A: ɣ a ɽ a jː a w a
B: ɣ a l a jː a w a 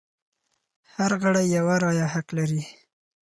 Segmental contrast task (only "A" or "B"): A